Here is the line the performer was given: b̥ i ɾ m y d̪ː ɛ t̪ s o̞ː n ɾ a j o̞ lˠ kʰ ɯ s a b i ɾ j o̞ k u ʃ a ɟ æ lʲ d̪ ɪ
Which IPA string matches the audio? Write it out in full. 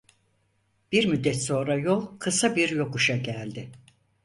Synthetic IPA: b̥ i ɾ m y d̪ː ɛ t̪ s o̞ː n ɾ a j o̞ lˠ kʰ ɯ s a b i ɾ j o̞ k u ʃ a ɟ æ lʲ d̪ ɪ